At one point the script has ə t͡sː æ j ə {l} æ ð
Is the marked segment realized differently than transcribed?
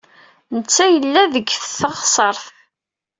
yes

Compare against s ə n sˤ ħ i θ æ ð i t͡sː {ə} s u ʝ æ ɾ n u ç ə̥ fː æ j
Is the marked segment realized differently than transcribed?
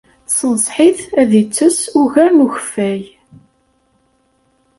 no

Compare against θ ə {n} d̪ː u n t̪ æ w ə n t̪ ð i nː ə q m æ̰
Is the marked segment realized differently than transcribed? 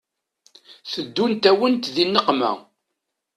yes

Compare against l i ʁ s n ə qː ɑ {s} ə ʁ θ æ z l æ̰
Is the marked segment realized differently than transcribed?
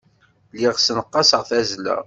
no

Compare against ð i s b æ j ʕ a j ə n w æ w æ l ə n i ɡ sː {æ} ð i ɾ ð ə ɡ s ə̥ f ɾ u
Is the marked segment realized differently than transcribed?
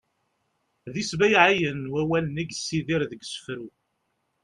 yes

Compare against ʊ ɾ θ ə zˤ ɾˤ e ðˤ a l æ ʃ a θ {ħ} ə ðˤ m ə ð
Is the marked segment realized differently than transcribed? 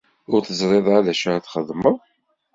yes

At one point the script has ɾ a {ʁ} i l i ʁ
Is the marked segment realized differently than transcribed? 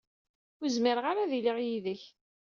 yes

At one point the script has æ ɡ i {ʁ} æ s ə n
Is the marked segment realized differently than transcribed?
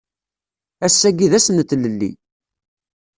yes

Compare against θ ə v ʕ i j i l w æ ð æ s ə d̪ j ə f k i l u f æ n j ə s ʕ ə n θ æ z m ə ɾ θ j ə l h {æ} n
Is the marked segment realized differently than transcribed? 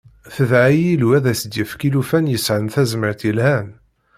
no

